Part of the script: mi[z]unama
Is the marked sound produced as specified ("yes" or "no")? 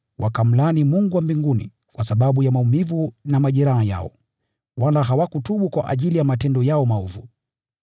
no